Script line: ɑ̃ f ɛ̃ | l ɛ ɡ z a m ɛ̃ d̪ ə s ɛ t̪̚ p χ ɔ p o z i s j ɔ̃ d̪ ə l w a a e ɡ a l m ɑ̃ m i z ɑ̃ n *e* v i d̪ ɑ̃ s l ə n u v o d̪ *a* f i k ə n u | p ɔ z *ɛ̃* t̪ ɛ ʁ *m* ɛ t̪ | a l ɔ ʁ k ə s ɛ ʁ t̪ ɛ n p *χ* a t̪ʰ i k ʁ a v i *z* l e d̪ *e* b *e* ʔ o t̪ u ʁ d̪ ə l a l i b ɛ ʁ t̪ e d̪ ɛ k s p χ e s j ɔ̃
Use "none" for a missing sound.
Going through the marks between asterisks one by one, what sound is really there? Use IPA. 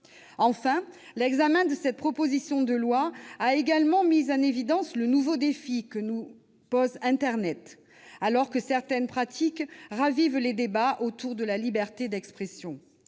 e, e, ɛ̃, n, χ, v, e, a

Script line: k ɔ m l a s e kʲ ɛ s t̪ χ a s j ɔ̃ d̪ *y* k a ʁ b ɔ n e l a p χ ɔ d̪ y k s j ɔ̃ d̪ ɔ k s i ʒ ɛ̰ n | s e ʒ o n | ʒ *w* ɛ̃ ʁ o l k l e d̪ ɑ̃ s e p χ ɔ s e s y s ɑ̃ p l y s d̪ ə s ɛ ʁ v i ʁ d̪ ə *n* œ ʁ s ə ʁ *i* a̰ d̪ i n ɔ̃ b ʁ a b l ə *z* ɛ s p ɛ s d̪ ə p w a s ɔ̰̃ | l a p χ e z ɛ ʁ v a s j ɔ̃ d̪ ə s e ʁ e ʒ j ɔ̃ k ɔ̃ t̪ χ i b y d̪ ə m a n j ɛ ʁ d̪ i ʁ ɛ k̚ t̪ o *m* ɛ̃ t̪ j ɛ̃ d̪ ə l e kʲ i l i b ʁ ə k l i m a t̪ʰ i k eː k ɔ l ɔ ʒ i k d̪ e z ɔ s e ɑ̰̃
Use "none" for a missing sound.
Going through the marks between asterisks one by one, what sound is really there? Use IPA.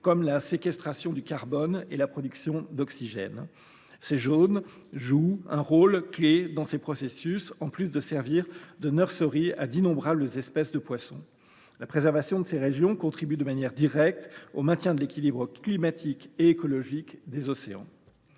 y, u, n, i, z, m

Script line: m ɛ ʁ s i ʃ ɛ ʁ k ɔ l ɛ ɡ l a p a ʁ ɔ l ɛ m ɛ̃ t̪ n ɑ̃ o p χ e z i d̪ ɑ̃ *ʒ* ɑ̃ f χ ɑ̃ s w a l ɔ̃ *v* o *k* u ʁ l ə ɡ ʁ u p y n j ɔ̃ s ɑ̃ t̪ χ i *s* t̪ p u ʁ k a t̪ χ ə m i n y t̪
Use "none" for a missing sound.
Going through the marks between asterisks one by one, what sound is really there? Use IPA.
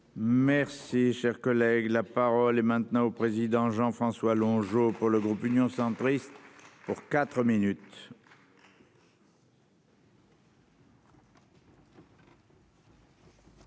ʒ, ʒ, p, s

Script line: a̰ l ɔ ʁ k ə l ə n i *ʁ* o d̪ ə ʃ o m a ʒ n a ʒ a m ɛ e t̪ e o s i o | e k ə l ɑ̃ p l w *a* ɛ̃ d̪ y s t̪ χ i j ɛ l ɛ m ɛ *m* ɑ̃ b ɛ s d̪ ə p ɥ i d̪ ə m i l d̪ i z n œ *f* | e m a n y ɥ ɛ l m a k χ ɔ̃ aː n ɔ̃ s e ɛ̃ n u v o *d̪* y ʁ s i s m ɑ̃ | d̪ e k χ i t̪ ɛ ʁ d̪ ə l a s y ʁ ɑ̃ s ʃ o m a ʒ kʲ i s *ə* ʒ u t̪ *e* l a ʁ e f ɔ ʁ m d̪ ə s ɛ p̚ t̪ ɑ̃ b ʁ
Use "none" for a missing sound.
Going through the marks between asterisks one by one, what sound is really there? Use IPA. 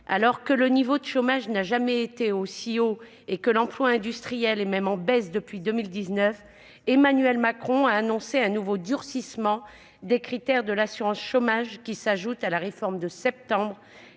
v, a, m, f, d̪, a, a

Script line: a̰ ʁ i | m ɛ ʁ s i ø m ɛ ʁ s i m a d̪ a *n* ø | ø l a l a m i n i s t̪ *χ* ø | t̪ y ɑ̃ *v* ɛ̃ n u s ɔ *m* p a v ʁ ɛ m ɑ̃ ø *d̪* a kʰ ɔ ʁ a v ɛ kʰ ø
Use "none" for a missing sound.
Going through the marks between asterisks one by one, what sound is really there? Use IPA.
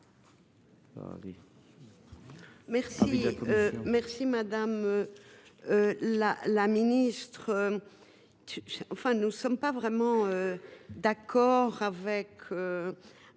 m, χ, f, m, d̪

